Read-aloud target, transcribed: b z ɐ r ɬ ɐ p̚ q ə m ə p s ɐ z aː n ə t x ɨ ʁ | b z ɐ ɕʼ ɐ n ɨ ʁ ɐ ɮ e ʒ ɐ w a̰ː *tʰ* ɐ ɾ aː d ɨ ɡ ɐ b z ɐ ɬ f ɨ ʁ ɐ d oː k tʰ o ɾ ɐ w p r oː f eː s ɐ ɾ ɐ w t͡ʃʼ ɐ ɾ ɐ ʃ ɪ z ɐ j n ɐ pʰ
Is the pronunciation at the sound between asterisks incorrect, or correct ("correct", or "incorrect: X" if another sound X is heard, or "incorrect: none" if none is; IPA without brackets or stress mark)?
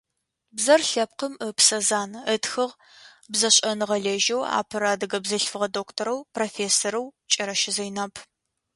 incorrect: pʰ